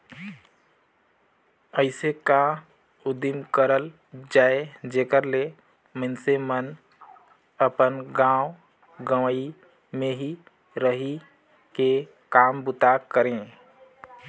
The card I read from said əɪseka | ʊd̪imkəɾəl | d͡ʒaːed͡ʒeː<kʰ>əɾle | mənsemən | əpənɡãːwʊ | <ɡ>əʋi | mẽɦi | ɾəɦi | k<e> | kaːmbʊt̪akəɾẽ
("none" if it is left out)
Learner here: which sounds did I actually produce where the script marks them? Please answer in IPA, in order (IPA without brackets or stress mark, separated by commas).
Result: k, ɡ, e